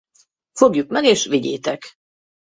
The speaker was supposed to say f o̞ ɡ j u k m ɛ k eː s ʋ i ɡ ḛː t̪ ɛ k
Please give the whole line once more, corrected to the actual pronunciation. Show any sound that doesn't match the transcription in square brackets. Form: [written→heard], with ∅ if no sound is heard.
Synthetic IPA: f o̞ ɡ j u k m ɛ [k→ɡ] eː [s→ʃ] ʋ i [ɡ→ɟ] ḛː t̪ ɛ k